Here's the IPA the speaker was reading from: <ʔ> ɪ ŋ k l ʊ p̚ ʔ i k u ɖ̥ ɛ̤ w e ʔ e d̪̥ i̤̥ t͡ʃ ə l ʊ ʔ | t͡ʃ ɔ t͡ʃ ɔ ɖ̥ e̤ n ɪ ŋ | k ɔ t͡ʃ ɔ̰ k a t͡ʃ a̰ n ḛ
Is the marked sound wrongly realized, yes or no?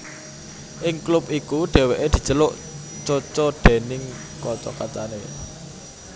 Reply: no